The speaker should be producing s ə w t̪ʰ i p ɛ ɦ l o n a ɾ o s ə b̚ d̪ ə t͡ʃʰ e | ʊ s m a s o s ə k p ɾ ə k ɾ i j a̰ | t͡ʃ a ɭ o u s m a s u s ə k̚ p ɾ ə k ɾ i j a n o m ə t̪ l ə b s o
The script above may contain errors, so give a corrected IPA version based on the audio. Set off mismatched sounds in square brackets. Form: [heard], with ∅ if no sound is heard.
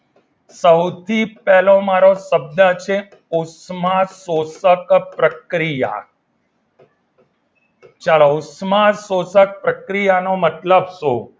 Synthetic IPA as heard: s ə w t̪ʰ i p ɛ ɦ l o [m] a ɾ o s ə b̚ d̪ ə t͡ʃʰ e | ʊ s m a s o s ə k p ɾ ə k ɾ i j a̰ | t͡ʃ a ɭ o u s m a s [o] s ə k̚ p ɾ ə k ɾ i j a n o m ə t̪ l ə b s o

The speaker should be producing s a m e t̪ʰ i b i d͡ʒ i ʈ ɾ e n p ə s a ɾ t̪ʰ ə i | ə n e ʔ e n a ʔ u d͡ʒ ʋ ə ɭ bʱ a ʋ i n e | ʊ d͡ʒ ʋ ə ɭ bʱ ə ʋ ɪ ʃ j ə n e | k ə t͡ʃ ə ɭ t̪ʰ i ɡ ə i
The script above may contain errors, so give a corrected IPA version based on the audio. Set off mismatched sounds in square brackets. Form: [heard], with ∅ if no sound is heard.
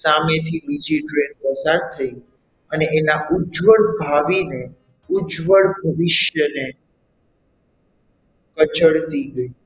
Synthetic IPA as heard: s a m e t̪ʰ i b i d͡ʒ i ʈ ɾ e n p ə s a ɾ t̪ʰ ə i | ə n e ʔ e n a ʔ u d͡ʒ ʋ ə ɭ bʱ a ʋ i n e | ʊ d͡ʒ ʋ ə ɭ bʱ ə ʋ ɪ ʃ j ə n e | k ə t͡ʃ ə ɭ [t̪] i ɡ ə i

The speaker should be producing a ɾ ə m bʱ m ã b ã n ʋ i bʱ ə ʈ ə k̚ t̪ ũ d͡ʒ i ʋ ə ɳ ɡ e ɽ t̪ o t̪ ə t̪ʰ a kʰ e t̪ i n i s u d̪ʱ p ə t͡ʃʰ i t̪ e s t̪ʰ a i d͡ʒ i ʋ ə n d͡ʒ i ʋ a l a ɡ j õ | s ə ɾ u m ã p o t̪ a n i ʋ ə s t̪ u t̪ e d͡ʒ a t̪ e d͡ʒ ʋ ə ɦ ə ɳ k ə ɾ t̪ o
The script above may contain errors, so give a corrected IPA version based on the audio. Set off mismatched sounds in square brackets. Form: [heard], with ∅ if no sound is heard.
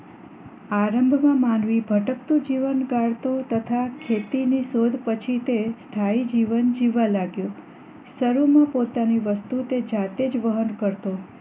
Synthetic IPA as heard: a ɾ ə m bʱ m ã [m] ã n ʋ i bʱ ə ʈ ə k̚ t̪ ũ d͡ʒ i ʋ ə [n] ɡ [a] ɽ t̪ o t̪ ə t̪ʰ a kʰ e t̪ i n i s [o] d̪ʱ p ə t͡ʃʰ i t̪ e s t̪ʰ a i d͡ʒ i ʋ ə n d͡ʒ i ʋ a l a ɡ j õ | s ə ɾ u m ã p o t̪ a n i ʋ ə s t̪ u t̪ e d͡ʒ a t̪ e d͡ʒ ʋ ə ɦ ə [n] k ə ɾ t̪ o

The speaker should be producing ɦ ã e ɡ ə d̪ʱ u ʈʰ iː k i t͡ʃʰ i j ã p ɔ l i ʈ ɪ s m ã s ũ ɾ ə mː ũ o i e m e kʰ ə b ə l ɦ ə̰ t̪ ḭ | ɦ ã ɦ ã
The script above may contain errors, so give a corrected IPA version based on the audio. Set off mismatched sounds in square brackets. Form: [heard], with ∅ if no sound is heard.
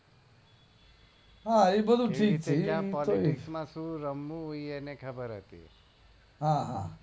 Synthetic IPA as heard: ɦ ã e [b] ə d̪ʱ u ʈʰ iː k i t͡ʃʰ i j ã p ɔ l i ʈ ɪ s m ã s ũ ɾ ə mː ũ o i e [n] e kʰ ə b ə [ɾ] ɦ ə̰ t̪ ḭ | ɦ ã ɦ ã

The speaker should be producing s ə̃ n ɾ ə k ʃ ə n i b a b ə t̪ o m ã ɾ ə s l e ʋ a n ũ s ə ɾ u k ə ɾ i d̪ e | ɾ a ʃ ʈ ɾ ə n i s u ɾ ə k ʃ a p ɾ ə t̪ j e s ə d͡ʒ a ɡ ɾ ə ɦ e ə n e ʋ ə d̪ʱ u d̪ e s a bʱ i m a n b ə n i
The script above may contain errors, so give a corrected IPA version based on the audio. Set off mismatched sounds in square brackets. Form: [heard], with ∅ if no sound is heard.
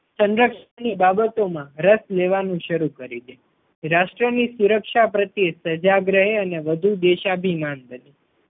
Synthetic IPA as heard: s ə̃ n ɾ ə k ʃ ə n i b a b ə t̪ o m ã ɾ ə s l e ʋ a n ũ [ʃ] ə ɾ u k ə ɾ i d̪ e | ɾ a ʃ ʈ ɾ ə n i s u ɾ ə k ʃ a p ɾ ə t̪ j e s ə d͡ʒ a ɡ ɾ ə ɦ e ə n e ʋ ə d̪ʱ u d̪ e [ʃ] a bʱ i m a n b ə n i

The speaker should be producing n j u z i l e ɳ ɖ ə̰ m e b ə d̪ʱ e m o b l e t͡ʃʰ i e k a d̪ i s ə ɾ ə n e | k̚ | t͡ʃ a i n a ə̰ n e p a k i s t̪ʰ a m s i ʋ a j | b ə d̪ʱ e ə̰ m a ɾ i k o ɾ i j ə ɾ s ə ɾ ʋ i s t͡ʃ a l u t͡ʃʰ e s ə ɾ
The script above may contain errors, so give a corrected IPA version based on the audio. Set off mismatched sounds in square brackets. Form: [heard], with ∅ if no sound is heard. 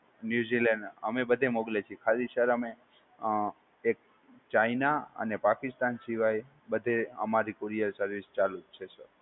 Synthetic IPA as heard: n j u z i l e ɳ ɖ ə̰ m e b ə d̪ʱ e m o [ɡ] l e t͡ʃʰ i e [kʰ] a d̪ i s ə ɾ ə [m] e | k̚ | t͡ʃ a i n a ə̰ n e p a k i s [t̪] a [n] s i ʋ a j | b ə d̪ʱ e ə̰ m a ɾ i k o ɾ i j ə ɾ s ə ɾ ʋ i s t͡ʃ a l u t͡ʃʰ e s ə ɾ

